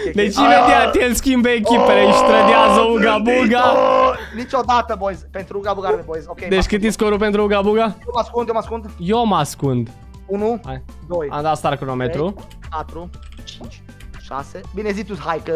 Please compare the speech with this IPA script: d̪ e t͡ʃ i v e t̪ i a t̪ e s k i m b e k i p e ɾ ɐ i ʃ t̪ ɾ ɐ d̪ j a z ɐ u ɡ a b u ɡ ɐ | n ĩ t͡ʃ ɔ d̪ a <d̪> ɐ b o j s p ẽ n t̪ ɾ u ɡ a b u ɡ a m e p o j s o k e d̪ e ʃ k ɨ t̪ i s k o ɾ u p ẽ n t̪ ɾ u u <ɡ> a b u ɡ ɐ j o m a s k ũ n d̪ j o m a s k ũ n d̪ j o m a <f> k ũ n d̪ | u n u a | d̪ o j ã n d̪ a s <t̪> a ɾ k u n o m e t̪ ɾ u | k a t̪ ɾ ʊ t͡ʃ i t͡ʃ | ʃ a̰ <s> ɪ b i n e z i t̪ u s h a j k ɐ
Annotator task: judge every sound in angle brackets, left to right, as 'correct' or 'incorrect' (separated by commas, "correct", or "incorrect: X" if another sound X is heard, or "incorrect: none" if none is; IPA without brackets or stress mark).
incorrect: t̪, correct, incorrect: s, correct, correct